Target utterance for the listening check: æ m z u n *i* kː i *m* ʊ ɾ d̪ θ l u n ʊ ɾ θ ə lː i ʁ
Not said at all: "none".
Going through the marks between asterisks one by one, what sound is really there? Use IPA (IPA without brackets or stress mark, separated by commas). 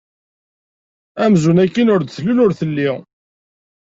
æ, n